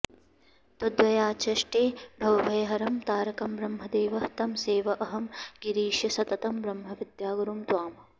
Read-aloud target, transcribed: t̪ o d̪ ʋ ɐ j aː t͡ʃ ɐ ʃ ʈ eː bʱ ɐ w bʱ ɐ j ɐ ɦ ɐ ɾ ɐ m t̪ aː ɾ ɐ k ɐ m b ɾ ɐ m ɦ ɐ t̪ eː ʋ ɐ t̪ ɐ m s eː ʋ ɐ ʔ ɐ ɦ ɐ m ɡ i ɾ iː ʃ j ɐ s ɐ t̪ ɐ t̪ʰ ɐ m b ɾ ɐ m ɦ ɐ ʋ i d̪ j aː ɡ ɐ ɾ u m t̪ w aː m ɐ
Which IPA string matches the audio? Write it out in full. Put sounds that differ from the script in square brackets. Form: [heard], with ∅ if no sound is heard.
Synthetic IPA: t̪ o d̪ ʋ ɐ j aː t͡ʃ ɐ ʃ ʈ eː bʱ ɐ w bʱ ɐ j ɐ ɦ ɐ ɾ ɐ m t̪ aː ɾ ɐ k ɐ m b ɾ ɐ m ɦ ɐ [d̪] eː ʋ ɐ t̪ ɐ m s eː ʋ ɐ ʔ ɐ ɦ ɐ m ɡ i ɾ iː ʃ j ɐ s ɐ t̪ ɐ [t̪] ɐ m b ɾ ɐ m ɦ ɐ ʋ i d̪ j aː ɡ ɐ ɾ u m t̪ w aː m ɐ